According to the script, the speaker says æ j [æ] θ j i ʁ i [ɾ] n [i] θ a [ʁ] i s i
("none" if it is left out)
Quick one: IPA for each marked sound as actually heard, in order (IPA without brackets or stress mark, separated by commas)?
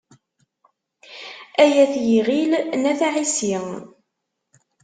æ, l, æ, ʕ